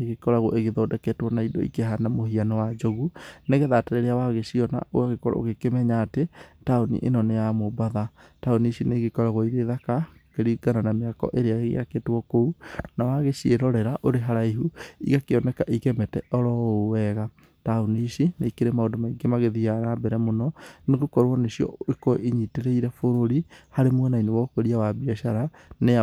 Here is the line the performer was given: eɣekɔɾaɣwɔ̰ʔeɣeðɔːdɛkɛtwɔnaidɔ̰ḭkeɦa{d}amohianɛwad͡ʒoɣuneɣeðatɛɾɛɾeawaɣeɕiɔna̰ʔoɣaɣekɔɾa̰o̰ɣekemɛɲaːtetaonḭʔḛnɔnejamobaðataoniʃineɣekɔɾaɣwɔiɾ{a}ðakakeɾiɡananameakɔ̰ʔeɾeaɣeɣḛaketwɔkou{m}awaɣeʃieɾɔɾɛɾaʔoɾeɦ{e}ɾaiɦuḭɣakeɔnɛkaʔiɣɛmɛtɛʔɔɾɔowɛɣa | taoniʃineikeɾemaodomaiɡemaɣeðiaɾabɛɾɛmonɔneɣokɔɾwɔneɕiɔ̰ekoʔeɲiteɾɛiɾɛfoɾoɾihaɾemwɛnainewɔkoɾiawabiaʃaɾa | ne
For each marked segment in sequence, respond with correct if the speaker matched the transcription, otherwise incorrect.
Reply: incorrect, incorrect, incorrect, incorrect

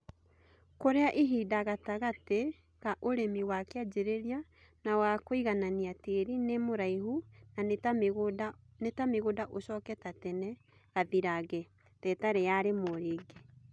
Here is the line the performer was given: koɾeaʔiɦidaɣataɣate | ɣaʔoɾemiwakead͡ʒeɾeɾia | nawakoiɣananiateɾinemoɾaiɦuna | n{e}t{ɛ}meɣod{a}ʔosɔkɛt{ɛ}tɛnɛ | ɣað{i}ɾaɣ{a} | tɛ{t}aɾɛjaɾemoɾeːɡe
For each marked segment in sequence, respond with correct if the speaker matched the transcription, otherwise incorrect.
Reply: correct, incorrect, correct, incorrect, correct, incorrect, correct

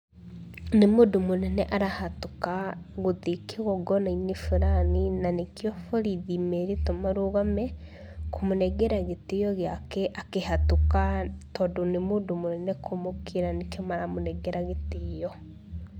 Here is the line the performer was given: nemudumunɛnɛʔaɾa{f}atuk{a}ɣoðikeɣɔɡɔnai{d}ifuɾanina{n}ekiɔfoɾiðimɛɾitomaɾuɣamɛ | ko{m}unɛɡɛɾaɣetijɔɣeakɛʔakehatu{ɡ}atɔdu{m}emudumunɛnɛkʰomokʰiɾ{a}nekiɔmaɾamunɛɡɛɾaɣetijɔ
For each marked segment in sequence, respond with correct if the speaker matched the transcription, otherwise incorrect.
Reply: incorrect, correct, incorrect, correct, correct, incorrect, incorrect, correct

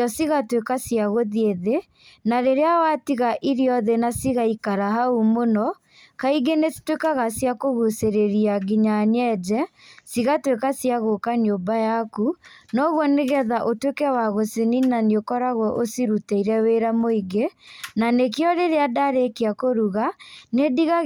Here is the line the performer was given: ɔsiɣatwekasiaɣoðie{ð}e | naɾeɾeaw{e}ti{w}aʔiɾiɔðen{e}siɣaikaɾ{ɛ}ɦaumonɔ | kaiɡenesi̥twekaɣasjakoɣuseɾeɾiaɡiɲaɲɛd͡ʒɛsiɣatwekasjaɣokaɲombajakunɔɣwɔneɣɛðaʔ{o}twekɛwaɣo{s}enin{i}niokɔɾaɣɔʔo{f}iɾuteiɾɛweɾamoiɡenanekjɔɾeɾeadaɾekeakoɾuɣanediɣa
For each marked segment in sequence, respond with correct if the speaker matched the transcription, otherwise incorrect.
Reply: correct, incorrect, incorrect, incorrect, incorrect, correct, correct, incorrect, incorrect

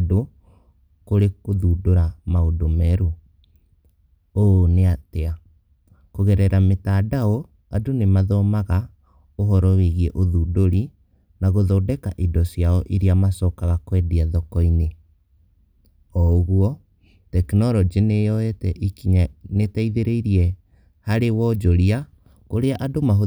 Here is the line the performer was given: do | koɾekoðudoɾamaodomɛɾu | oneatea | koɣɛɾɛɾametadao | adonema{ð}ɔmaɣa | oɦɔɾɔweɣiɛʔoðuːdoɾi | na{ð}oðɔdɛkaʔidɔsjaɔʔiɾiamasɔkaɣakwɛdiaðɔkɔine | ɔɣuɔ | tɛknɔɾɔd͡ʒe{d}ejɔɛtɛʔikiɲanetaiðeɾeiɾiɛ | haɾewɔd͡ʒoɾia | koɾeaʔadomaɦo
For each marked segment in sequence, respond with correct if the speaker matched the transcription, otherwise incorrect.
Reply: correct, incorrect, incorrect

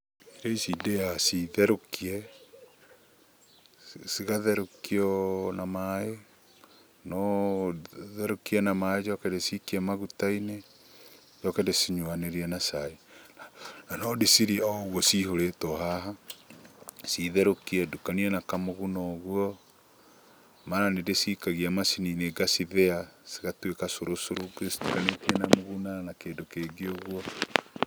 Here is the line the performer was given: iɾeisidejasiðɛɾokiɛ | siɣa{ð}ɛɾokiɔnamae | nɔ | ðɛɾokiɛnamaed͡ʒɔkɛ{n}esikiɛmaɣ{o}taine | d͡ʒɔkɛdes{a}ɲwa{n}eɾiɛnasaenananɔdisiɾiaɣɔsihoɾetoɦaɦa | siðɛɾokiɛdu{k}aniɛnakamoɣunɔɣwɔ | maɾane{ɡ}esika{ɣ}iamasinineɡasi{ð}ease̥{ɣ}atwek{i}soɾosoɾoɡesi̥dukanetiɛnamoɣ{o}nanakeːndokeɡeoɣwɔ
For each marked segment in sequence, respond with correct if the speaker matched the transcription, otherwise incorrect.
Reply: correct, incorrect, incorrect, incorrect, correct, correct, incorrect, correct, correct, correct, incorrect, incorrect

